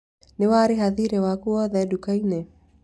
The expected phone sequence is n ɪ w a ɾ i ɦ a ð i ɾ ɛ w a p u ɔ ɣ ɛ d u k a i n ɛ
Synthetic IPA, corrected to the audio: n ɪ w a ɾ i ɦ a ð i ɾ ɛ w a k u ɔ ð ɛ d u k a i n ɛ